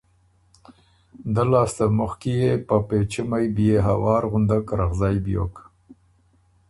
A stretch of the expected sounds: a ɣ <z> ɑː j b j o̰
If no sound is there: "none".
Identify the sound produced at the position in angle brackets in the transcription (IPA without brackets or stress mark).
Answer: z